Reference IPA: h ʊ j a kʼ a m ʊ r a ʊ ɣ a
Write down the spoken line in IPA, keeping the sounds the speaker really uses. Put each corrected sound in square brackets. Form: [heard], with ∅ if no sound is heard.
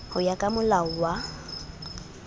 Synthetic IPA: h ʊ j a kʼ a m ʊ [l] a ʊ [w] a